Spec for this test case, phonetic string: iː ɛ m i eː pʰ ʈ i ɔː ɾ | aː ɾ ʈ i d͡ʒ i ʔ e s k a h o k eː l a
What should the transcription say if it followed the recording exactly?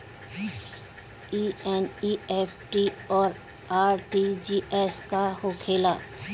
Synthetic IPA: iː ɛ n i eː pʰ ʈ i ɔː ɾ | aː ɾ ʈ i d͡ʒ i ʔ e s k a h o kʰ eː l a